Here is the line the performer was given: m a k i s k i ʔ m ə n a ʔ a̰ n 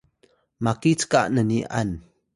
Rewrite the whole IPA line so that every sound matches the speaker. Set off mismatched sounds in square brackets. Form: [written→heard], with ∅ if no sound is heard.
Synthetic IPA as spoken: m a k i [s→t͡s] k [i→a] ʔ [m→n] ə n [a→i] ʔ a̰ n

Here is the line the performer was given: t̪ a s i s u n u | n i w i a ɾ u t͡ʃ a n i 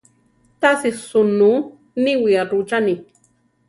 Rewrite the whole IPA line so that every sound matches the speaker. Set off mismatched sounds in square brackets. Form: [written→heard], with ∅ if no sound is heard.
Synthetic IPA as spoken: t̪ a s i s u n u | n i w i a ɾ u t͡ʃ a n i

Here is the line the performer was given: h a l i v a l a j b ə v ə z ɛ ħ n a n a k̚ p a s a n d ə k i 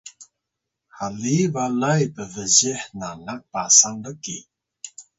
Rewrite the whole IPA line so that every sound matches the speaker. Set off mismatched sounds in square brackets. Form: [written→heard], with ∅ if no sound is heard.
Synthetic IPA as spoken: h a l i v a l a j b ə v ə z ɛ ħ n a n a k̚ p a s a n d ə k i

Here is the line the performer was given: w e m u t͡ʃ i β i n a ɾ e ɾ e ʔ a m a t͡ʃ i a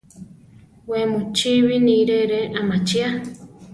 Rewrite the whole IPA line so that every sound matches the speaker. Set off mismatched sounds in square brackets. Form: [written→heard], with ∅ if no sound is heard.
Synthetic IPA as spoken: w e m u t͡ʃ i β i n [a→i] ɾ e ɾ e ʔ a m a t͡ʃ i a

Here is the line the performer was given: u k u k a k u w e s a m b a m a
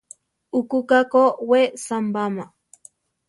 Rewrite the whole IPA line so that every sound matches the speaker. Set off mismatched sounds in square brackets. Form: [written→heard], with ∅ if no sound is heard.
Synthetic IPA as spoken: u k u k a k [u→o] w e s a m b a m a

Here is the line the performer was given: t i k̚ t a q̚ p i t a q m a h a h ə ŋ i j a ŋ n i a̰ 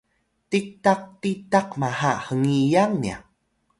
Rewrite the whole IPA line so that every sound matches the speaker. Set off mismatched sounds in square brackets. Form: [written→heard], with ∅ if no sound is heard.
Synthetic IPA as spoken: t i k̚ t a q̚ [p→t] i t a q m a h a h ə ŋ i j a ŋ n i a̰

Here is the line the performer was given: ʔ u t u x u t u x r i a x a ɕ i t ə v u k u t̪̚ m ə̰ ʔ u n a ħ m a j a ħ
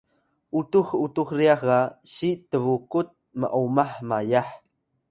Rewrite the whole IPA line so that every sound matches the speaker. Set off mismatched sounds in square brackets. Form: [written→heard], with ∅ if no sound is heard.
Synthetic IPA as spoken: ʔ u t u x u t u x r i a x a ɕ i t ə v u k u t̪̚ m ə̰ ʔ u [n→m] a ħ m a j a ħ

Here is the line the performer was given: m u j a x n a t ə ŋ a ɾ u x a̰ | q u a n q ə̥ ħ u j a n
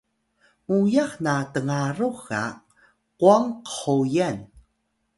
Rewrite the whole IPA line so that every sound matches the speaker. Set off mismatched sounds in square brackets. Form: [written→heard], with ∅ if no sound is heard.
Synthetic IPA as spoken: m u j a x n a t ə ŋ a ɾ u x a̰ | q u a [n→ŋ] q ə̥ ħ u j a n

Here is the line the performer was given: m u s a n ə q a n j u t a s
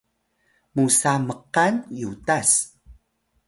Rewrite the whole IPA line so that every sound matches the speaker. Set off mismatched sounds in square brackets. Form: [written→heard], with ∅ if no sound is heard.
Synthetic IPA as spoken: m u s a [n→m] ə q a n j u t a s

